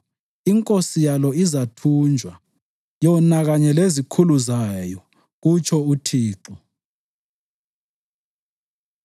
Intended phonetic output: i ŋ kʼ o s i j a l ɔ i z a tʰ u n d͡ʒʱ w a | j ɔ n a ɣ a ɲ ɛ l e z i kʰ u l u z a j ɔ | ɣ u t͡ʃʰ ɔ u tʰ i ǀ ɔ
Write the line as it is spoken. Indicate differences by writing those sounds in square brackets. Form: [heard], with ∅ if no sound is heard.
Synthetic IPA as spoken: i ŋ kʼ o s i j a l ɔ i z a tʰ u n d͡ʒʱ w a | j ɔ n a ɣ a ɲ ɛ l e z i kʰ u l u z a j ɔ | ɣ u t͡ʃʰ ɔ u tʰ [iː] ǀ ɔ